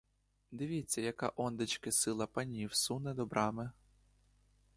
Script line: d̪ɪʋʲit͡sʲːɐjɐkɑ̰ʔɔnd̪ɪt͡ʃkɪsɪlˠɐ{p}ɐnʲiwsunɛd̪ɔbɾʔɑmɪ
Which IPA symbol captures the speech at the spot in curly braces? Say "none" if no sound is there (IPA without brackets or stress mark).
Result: p